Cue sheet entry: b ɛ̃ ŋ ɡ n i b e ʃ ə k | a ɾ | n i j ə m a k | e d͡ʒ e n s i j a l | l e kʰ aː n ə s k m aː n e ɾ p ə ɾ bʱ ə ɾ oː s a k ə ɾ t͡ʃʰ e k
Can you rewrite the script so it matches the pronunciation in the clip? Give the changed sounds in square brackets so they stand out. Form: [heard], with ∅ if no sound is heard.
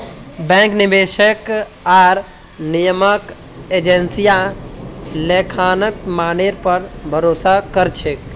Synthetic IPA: b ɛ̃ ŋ [k] n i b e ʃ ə k | a ɾ | n i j ə m [ə] k | e d͡ʒ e n s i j a [∅] | l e kʰ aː n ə [∅] k m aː n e ɾ p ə ɾ bʱ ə ɾ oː s a k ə ɾ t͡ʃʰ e k